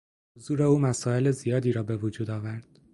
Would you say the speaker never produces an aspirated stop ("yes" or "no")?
yes